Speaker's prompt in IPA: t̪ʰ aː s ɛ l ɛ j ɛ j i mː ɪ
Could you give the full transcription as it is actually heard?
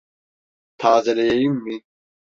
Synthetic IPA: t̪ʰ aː z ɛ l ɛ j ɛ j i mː i